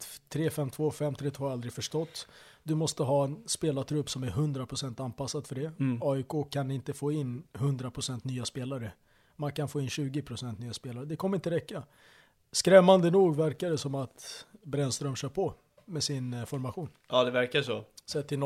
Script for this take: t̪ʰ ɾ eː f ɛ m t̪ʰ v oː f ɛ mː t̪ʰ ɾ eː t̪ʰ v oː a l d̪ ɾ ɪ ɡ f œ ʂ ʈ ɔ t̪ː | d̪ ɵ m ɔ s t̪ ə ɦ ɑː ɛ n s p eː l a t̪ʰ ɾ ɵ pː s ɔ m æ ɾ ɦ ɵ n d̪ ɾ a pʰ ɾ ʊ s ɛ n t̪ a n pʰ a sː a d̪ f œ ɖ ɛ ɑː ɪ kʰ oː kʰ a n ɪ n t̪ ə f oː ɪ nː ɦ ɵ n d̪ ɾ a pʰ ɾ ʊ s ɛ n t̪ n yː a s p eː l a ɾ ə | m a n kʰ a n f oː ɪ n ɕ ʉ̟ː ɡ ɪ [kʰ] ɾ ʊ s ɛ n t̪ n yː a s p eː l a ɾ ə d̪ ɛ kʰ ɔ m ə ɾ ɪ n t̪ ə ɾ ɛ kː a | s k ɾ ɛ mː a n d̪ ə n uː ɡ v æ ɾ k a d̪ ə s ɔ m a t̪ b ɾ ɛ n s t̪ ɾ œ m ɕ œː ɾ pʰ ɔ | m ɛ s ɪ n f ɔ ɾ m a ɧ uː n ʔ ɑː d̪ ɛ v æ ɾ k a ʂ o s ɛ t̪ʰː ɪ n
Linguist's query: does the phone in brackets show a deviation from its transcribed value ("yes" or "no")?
yes